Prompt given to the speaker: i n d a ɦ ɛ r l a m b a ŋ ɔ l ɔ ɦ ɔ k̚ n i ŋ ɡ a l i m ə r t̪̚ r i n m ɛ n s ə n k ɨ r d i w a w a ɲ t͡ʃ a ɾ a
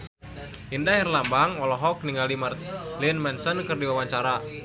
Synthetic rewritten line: i n d a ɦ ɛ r l a m b a ŋ ɔ l ɔ ɦ ɔ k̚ n i ŋ ɡ a l i m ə r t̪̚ l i n m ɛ n s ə n k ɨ r d i w a w a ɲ t͡ʃ a ɾ a